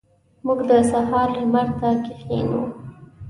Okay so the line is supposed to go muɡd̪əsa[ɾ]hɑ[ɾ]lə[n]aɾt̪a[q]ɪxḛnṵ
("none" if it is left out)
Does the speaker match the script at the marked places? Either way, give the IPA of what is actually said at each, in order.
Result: none, ɾ, m, k

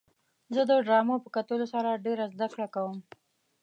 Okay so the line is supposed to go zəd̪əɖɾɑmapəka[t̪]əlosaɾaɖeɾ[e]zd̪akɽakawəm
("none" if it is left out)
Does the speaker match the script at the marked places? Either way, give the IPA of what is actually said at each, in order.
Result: t̪, a

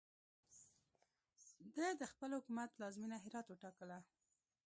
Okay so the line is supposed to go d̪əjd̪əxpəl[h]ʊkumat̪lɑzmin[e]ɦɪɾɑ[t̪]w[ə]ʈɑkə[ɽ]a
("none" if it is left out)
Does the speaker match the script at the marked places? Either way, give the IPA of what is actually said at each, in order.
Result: h, a, t̪, ə, l

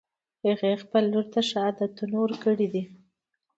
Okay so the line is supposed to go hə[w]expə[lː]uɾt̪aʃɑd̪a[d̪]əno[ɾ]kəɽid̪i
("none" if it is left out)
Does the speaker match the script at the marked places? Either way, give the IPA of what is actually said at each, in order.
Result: ɣ, lː, t̪, ɾ

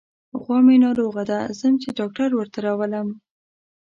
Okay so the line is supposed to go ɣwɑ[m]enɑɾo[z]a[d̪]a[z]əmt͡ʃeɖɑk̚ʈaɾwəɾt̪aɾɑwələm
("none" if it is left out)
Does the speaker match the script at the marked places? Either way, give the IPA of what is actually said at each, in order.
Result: m, ɣ, d̪, z

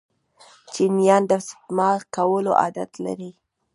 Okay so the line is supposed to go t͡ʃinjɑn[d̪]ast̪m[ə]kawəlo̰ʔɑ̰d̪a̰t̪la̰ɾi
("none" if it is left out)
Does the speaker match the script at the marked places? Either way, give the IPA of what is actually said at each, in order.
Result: d̪, ɑ

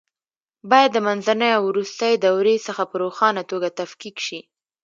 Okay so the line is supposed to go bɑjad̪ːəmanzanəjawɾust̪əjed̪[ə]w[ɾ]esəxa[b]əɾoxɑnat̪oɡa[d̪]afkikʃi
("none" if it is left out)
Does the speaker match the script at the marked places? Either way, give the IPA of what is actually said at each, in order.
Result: a, ɾ, p, t̪

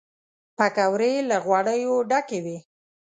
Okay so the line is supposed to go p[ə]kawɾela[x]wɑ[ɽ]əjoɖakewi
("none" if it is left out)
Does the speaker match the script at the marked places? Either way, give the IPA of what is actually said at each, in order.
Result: a, ɣ, ɽ

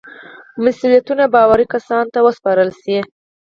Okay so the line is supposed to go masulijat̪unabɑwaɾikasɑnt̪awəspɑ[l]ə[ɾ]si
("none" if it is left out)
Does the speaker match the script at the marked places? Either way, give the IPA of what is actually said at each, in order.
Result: ɾ, l

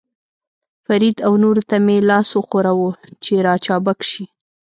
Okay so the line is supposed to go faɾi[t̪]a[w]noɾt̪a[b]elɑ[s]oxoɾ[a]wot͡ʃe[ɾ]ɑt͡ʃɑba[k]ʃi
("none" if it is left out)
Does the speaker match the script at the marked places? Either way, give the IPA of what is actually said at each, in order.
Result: d̪, w, m, s, a, ɾ, k

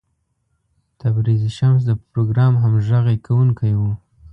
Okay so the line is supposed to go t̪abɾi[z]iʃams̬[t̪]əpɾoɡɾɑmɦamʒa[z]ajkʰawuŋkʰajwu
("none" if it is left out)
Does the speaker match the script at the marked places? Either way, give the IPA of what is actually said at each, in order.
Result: z, d̪, ɣ

